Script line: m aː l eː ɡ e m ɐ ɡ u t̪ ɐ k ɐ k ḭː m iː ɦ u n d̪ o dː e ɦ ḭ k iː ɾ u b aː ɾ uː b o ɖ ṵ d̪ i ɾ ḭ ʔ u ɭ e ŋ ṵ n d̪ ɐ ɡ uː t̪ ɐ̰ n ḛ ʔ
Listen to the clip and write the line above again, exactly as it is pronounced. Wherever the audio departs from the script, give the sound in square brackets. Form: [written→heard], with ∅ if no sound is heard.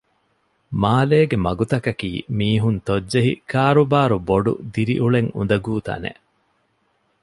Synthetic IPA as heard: m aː l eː ɡ e m ɐ ɡ u t̪ ɐ k ɐ k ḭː m iː ɦ u n [d̪→t̪] o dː e ɦ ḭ k [iː→aː] ɾ u b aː ɾ [uː→u] b o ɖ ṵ d̪ i ɾ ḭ ʔ u ɭ e ŋ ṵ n d̪ ɐ ɡ uː t̪ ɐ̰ n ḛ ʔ